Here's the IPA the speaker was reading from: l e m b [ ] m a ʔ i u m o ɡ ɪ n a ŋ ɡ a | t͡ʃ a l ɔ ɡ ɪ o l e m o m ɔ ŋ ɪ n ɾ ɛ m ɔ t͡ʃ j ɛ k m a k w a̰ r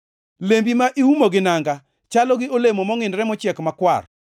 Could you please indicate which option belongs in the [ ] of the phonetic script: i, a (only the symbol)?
i